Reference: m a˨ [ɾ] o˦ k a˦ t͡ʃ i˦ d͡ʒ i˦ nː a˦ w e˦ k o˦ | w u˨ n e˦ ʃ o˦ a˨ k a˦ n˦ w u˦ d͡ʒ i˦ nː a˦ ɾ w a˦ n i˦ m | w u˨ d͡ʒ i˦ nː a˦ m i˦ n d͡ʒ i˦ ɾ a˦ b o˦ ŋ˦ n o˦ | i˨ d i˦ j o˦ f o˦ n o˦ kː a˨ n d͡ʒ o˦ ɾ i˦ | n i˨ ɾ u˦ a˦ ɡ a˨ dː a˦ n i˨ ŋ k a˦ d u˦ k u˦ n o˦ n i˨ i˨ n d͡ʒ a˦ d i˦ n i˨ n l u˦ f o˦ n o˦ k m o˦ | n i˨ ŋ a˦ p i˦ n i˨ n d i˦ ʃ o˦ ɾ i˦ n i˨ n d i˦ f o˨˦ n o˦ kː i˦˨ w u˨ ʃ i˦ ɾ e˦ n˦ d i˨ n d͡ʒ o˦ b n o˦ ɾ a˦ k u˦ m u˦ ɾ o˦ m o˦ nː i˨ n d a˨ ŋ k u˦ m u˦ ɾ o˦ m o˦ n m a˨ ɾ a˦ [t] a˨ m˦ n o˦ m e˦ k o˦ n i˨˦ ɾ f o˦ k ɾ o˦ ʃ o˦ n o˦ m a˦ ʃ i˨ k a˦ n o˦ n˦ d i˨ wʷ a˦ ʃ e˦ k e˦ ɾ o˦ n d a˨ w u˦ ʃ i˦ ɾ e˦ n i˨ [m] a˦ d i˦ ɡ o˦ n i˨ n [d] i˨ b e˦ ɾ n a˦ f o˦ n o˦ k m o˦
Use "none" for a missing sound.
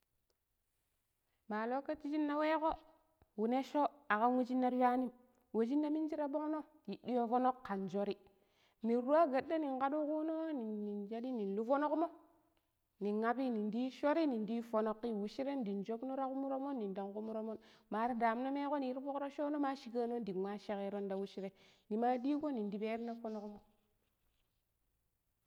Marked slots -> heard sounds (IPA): l, d, m, d

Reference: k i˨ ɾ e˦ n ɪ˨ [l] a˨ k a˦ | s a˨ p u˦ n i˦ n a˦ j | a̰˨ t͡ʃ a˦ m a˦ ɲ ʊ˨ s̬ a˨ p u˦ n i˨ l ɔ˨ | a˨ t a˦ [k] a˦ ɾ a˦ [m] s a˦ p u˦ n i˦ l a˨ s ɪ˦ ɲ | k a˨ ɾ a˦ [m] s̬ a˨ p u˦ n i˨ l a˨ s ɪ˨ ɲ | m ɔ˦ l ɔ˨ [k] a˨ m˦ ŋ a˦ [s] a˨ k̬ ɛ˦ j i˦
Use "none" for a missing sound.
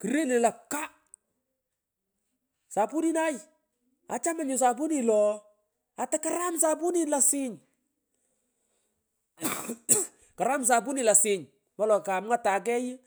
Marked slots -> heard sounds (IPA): l, k, m, m, k, t

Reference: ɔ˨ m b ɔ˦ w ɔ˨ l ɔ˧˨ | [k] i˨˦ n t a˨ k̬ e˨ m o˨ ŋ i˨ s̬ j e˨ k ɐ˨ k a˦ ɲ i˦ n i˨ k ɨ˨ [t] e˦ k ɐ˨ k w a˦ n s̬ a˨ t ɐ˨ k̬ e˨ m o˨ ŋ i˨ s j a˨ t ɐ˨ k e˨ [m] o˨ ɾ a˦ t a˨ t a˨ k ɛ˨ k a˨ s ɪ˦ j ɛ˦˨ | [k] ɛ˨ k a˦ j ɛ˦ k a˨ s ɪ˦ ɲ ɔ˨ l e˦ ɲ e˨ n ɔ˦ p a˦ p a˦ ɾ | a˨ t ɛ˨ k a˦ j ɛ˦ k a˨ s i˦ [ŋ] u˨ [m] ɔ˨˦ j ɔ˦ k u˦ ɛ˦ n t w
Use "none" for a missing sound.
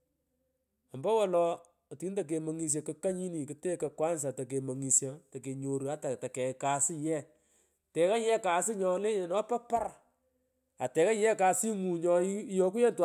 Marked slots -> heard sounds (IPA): t, t, ɲ, t, ŋ, ɲ

